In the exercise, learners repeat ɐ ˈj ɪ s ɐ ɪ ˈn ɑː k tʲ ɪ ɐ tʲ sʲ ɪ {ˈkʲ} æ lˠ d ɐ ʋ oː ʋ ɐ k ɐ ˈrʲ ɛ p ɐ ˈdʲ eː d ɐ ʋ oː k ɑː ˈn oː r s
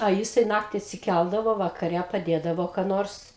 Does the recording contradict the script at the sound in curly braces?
no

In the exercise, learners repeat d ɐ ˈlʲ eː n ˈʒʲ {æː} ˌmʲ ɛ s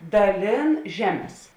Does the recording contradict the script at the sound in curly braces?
no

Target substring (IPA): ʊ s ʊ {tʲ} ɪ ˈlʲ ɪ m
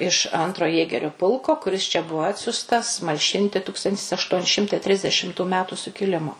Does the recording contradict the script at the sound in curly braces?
yes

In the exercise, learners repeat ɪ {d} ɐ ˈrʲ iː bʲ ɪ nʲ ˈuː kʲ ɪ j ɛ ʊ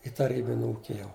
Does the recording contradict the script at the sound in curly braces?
yes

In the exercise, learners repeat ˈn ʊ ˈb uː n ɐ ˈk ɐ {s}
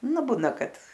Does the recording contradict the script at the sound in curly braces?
yes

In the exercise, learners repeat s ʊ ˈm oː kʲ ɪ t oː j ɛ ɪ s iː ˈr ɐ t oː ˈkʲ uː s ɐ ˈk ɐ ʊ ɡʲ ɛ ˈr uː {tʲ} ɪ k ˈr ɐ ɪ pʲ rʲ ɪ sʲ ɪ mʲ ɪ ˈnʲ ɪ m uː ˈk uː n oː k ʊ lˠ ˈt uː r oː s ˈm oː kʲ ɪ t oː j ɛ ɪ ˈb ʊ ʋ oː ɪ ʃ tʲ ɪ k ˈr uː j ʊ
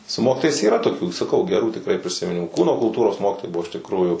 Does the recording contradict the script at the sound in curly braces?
no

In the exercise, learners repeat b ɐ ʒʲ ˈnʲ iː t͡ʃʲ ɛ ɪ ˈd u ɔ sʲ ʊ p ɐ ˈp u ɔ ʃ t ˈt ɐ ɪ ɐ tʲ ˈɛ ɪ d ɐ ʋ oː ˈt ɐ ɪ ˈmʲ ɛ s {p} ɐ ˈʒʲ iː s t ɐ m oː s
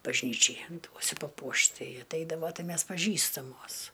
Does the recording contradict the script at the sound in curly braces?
no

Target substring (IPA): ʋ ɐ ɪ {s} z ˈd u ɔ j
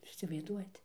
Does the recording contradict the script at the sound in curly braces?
yes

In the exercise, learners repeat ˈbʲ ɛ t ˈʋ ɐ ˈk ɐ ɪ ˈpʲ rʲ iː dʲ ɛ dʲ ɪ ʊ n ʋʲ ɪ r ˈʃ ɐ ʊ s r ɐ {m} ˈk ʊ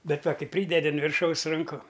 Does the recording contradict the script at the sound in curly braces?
yes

